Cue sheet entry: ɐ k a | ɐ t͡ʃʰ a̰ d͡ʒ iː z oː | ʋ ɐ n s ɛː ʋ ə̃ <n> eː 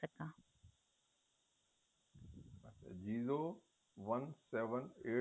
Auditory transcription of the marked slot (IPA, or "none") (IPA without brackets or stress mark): n